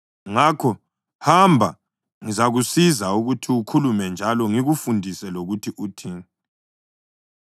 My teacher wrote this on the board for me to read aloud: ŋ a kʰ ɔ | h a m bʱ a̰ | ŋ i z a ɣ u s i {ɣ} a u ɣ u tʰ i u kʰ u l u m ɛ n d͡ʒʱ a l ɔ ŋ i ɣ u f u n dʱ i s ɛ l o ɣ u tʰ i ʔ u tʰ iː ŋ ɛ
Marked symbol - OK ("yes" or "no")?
no